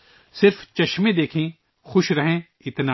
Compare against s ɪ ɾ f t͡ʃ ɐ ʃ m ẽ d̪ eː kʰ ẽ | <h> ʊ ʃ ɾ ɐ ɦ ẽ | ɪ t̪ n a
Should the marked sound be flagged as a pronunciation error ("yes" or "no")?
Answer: yes